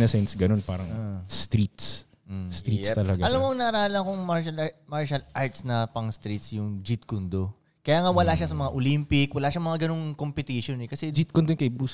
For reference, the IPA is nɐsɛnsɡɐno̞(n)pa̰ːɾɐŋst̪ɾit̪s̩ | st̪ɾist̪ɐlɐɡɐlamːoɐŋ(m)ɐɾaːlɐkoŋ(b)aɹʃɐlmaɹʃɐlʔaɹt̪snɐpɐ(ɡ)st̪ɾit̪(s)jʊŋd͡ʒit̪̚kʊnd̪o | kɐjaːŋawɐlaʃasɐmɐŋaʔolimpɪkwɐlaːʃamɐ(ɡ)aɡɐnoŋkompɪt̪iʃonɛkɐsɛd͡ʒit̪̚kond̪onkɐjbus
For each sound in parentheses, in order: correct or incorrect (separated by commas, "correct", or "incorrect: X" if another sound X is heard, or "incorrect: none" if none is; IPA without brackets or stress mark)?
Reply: correct, incorrect: n, incorrect: m, incorrect: ŋ, correct, incorrect: ŋ